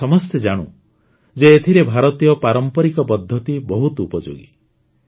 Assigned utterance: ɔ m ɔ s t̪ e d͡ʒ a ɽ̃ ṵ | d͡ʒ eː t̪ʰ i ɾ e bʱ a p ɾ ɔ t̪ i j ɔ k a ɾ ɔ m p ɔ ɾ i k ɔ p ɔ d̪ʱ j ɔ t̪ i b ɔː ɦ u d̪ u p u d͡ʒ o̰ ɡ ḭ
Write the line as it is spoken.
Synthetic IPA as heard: ɔ m ɔ s t̪ e d͡ʒ a ɽ̃ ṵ | d͡ʒ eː t̪ʰ i ɾ e bʱ a ɾ ɔ t̪ i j ɔ p a ɾ ɔ m p ɔ ɾ i k ɔ p ɔ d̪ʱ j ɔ t̪ i b ɔ ɦ u t̪ u p ɔ d͡ʒ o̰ ɡ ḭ